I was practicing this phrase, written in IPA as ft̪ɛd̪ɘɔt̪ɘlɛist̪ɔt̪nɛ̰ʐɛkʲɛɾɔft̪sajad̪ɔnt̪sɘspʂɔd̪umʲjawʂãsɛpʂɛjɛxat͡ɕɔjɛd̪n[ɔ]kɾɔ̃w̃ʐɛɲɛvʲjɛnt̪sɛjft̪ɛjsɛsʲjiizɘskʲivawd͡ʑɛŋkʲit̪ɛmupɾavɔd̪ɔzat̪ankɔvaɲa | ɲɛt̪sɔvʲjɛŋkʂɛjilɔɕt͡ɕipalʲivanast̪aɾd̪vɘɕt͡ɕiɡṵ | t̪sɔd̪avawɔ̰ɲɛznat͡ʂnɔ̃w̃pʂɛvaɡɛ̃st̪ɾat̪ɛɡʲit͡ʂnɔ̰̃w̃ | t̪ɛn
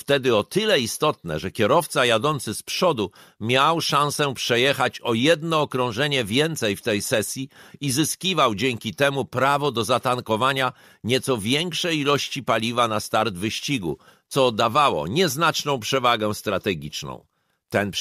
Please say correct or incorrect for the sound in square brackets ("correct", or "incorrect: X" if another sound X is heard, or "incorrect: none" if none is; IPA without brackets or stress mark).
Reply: incorrect: ɔː